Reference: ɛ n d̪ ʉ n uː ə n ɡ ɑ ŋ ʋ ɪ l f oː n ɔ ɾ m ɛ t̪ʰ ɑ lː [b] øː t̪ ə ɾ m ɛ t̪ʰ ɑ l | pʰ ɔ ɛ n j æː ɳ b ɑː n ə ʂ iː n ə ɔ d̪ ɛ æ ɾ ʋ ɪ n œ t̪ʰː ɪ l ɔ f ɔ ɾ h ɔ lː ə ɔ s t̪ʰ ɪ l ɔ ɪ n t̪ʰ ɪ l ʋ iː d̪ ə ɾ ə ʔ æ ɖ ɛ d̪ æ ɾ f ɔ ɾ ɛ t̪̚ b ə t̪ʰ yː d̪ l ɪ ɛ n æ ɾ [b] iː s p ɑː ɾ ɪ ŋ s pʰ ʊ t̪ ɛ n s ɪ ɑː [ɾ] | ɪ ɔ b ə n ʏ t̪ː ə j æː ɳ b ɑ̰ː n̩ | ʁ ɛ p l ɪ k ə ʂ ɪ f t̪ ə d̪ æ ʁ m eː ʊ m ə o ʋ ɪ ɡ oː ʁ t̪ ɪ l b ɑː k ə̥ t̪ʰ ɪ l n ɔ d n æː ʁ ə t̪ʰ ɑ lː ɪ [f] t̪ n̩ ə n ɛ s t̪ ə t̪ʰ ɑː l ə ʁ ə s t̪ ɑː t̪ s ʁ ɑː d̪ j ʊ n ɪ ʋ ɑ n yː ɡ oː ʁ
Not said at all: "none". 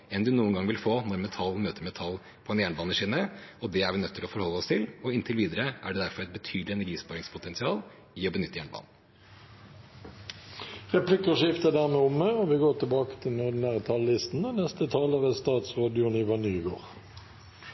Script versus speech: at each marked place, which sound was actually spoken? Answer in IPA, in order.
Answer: m, ɡ, l, s

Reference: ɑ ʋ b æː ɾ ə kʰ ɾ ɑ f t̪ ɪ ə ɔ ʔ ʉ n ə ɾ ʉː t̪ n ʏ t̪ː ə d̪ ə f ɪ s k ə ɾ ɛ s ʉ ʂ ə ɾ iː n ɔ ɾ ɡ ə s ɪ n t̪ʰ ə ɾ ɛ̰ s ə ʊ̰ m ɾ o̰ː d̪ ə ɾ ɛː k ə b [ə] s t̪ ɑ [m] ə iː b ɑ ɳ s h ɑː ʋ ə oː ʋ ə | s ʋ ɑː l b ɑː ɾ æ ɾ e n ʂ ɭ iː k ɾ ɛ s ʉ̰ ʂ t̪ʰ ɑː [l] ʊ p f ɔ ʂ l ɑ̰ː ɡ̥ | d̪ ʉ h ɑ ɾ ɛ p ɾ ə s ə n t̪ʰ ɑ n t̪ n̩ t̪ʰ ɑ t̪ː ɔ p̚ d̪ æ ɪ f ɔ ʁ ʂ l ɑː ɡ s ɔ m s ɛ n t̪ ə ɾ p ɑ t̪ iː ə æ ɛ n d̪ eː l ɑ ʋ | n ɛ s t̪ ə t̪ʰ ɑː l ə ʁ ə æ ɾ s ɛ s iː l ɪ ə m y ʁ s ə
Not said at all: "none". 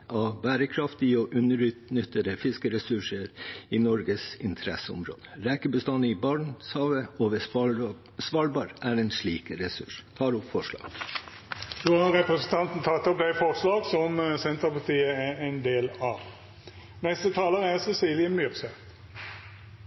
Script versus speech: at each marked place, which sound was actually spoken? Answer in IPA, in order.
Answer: ə, n, ɾ

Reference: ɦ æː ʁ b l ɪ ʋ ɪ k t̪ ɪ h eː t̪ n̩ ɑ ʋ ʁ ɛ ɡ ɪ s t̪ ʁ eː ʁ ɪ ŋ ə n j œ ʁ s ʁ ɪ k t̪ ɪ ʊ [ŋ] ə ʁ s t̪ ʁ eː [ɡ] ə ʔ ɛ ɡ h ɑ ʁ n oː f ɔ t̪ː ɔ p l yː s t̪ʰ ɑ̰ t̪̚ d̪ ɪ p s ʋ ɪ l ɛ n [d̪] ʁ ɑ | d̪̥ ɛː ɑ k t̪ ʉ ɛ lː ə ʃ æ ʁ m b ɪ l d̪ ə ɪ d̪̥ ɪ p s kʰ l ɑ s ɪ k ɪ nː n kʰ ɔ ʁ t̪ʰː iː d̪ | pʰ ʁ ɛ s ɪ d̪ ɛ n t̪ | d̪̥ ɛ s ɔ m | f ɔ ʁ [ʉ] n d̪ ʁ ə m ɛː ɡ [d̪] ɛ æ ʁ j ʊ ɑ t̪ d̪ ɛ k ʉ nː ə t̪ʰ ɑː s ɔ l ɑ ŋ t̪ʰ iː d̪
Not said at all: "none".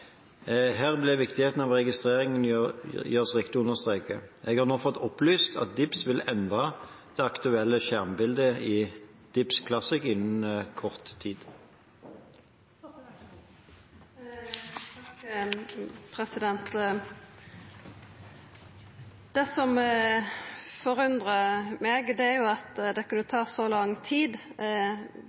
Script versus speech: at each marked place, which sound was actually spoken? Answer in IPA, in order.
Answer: n, k, d̪, ʉ, d̪

